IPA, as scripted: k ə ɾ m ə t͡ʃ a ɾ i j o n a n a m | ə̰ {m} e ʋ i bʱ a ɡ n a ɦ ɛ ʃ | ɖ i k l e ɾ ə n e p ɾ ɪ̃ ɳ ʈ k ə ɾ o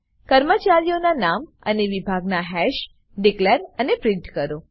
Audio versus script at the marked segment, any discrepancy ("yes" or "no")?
yes